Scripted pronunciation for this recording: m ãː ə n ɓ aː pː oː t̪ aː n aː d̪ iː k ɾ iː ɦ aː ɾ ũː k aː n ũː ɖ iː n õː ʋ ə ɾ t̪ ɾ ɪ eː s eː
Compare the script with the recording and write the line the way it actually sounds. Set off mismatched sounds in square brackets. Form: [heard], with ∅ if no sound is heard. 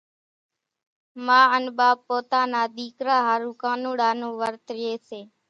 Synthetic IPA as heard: m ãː ə n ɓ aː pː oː t̪ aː n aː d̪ iː k ɾ [aː] ɦ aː ɾ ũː k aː n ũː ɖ [aː] n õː ʋ ə ɾ t̪ ɾ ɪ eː s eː